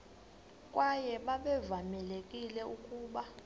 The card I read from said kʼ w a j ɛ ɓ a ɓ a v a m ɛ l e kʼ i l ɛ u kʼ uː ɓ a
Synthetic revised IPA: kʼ w a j ɛ ɓ a ɓ ɛ v a m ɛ l e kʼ i l ɛ u kʼ uː ɓ a